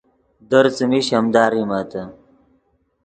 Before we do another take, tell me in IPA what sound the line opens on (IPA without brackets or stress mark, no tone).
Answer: d̪